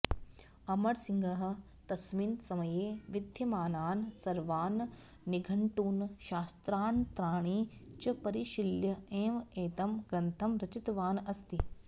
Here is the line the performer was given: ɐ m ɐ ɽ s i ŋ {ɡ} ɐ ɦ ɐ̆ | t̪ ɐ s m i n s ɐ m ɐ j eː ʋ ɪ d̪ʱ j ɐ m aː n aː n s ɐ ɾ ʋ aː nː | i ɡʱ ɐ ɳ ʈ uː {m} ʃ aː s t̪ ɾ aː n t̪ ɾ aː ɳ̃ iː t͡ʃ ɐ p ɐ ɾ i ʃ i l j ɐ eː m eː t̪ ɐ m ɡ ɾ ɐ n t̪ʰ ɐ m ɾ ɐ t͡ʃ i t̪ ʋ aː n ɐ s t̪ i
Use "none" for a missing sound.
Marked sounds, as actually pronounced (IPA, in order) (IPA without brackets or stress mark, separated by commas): ɡ, n